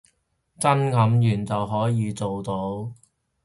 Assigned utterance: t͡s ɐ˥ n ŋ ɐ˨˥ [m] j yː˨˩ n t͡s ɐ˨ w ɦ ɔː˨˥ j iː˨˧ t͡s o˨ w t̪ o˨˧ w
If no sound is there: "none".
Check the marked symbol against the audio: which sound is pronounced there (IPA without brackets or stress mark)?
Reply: m